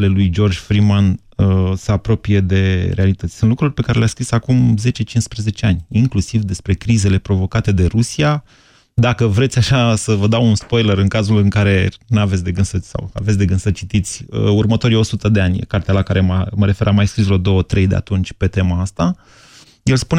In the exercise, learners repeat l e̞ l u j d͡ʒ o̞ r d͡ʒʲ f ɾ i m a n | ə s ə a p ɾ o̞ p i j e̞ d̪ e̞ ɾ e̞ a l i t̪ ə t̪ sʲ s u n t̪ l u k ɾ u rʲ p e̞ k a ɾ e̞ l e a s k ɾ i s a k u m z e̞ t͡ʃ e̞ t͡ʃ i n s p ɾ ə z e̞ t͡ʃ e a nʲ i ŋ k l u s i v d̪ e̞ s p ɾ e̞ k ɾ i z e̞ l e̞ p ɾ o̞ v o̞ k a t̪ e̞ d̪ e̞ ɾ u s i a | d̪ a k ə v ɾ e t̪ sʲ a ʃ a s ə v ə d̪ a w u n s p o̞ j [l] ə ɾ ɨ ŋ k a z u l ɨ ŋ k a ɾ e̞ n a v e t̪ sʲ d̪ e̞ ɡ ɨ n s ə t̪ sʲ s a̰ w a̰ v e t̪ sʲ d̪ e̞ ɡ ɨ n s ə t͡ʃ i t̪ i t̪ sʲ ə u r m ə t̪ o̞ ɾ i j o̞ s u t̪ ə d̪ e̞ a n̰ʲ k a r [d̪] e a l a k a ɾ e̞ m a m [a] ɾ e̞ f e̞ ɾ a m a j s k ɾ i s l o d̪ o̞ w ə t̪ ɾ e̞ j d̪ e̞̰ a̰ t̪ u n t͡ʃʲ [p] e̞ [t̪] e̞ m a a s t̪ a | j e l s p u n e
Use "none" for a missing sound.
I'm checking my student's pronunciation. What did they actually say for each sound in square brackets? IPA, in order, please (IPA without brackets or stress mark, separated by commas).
l, t̪, ə, p, t̪